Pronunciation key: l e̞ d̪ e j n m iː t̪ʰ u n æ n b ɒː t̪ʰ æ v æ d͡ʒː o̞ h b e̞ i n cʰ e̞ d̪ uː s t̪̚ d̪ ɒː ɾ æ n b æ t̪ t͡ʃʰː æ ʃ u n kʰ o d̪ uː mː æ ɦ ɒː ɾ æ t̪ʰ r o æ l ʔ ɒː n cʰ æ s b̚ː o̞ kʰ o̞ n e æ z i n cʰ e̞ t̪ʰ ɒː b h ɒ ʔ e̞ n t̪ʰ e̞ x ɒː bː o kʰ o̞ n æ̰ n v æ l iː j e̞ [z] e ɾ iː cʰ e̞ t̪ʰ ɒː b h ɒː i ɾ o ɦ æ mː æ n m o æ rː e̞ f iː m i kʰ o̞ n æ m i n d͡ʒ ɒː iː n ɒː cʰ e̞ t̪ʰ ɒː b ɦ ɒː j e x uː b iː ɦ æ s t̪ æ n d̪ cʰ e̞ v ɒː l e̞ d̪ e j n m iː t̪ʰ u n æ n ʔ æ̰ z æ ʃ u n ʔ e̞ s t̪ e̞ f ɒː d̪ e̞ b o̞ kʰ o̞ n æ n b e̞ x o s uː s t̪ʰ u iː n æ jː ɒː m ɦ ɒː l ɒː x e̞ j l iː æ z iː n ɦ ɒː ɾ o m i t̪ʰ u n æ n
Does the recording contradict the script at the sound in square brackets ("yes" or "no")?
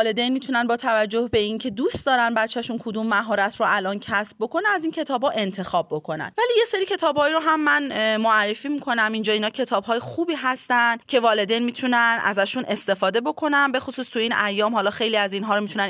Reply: yes